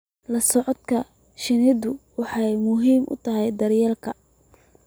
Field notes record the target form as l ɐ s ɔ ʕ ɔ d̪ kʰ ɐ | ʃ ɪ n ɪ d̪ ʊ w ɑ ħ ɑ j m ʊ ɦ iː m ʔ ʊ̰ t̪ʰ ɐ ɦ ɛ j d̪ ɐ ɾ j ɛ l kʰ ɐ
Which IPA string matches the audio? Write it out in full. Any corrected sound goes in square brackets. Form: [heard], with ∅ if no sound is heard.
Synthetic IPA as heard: l ɐ s ɔ ʕ ɔ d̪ kʰ ɐ | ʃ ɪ n ɪ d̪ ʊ w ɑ ħ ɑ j m ʊ ɦ iː m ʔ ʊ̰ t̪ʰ ɐ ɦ ɛ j d̪ ɐ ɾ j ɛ l kʰ ɐ